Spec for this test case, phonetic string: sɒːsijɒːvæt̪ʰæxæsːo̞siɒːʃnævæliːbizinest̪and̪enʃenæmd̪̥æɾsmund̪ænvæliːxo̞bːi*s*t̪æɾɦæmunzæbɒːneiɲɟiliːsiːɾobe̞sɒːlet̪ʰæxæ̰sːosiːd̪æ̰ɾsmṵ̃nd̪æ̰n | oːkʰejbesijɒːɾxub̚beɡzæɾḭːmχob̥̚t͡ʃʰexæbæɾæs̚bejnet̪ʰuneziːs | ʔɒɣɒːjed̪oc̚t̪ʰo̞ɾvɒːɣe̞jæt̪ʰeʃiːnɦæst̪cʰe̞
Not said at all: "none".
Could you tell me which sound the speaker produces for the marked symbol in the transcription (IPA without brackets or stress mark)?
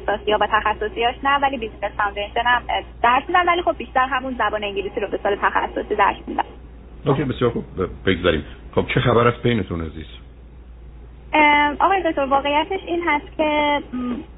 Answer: ʃ